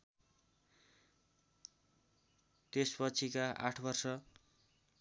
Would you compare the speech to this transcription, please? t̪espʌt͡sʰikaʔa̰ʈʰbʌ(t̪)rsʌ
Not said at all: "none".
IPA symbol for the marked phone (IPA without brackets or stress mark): none